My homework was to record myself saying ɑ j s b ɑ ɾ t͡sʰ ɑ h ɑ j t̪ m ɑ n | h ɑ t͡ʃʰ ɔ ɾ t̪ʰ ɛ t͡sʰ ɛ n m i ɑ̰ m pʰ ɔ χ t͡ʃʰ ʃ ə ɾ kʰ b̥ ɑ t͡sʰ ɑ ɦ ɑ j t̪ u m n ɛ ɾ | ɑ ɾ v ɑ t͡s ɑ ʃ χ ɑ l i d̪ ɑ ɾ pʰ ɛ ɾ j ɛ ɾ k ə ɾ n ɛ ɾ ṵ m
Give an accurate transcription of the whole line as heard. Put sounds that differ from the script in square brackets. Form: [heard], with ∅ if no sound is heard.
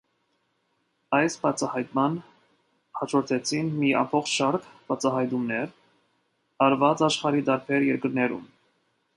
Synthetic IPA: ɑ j s b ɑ [∅] t͡sʰ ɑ h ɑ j t̪ m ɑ n | h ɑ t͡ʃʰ ɔ ɾ t̪ʰ ɛ t͡sʰ [i] n m i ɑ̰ m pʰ ɔ χ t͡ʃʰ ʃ [ɑ] ɾ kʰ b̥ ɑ t͡sʰ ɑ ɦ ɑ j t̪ u m n ɛ ɾ | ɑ ɾ v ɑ t͡s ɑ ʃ χ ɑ [ɾ] i d̪ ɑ ɾ pʰ ɛ ɾ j ɛ ɾ k ə ɾ n ɛ ɾ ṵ m